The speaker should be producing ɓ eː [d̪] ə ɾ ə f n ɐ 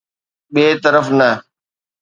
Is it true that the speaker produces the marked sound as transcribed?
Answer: no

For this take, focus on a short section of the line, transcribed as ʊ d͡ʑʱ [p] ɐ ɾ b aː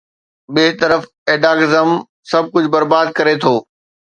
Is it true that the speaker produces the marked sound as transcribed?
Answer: no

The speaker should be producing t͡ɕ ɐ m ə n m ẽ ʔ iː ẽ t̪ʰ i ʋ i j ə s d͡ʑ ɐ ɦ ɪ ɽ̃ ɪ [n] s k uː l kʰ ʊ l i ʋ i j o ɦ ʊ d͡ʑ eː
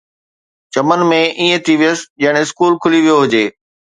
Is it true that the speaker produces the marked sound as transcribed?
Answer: no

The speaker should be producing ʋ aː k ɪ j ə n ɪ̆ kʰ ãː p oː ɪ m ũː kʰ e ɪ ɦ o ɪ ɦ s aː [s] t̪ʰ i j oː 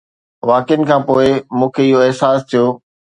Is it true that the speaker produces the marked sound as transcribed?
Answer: yes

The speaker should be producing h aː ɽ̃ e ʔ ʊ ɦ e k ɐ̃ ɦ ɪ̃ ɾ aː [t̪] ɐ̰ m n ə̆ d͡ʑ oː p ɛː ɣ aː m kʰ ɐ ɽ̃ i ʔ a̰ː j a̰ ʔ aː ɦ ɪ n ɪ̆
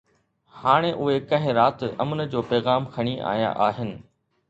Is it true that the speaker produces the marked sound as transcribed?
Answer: yes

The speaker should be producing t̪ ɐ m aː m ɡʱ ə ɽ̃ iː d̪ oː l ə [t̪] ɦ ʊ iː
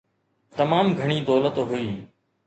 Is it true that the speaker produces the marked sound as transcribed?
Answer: yes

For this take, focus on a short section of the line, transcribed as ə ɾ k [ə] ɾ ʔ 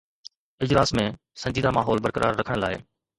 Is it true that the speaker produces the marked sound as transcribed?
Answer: yes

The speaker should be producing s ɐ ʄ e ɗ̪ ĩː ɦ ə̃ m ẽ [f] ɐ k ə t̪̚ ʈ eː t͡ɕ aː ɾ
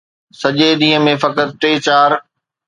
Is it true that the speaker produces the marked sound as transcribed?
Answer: yes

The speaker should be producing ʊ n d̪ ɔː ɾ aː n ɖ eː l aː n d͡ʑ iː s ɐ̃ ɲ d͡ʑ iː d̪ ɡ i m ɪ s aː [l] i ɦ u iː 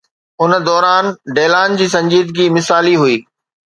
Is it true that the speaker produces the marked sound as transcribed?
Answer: yes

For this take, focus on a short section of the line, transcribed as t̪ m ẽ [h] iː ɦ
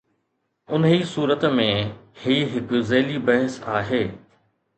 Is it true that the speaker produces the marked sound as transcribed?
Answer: yes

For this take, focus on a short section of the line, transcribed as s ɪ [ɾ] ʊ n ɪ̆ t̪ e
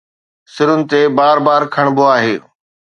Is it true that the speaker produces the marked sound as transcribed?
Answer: yes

